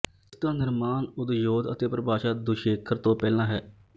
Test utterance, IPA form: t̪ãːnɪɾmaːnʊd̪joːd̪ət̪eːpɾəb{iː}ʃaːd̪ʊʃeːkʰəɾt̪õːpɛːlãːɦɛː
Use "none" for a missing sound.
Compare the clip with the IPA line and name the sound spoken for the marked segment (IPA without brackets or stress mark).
aː